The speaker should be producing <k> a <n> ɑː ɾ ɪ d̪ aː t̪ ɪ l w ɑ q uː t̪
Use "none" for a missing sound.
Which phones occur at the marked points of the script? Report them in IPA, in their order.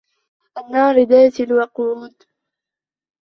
ʔ, nː

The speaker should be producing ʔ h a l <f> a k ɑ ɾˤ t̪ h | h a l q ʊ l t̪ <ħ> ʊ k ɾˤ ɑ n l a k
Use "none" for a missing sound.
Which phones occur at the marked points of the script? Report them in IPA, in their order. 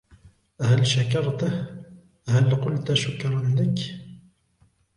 ʃ, ʃ

